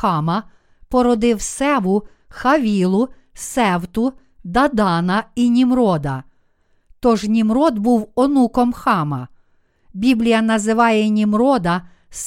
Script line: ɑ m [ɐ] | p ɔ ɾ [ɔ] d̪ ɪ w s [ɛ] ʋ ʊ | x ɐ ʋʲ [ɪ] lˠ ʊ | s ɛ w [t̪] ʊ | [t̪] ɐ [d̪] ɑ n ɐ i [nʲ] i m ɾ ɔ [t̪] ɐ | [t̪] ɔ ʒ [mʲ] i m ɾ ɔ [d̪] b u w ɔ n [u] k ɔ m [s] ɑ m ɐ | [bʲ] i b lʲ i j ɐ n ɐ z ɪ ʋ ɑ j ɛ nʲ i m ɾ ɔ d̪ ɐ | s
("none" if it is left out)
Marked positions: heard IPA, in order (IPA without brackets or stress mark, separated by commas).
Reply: ɐ, ɔ, ɛ, i, t̪, d̪, d̪, nʲ, d̪, t̪, nʲ, d̪, u, x, bʲ